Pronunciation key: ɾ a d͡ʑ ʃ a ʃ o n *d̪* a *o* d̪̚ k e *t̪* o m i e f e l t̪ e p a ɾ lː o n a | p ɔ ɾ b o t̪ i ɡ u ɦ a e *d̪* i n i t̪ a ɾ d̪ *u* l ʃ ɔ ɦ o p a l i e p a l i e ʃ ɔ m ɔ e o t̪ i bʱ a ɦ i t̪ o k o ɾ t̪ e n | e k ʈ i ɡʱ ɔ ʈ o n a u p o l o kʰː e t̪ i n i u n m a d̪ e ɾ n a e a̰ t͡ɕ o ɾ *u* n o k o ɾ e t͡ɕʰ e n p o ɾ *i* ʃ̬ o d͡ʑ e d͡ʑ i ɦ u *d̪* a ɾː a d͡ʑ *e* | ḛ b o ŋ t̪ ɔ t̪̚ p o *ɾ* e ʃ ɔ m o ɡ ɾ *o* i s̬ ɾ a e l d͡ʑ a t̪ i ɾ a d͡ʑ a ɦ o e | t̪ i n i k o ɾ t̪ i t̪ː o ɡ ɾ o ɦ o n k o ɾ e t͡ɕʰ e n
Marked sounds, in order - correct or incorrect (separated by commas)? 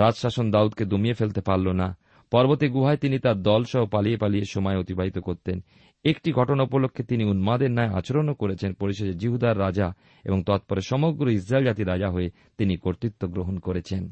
correct, incorrect, incorrect, incorrect, incorrect, incorrect, correct, correct, incorrect, correct, correct